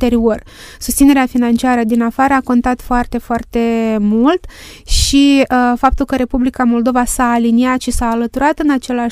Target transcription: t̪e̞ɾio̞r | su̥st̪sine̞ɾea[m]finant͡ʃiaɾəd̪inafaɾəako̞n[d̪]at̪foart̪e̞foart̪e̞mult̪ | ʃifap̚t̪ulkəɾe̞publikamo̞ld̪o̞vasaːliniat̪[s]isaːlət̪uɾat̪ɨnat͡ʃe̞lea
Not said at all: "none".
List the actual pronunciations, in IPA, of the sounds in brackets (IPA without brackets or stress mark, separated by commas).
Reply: none, t̪, ʃ